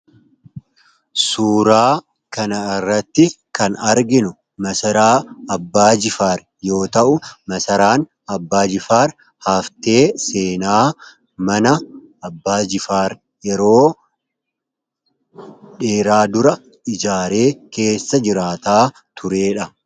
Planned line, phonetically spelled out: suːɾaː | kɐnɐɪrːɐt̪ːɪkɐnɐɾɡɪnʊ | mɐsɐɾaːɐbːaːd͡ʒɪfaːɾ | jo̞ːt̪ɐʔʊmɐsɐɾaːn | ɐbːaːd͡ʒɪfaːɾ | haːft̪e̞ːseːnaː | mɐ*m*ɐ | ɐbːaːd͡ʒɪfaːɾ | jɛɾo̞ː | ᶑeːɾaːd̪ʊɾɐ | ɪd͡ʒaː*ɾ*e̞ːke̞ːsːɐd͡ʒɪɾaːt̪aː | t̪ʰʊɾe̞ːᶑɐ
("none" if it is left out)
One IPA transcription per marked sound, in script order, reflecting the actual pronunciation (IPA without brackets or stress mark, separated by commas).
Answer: n, ɾ